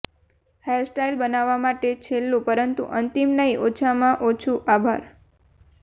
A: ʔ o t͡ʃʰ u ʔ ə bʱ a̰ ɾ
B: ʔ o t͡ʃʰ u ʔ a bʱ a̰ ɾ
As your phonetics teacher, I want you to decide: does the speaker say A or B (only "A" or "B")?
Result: B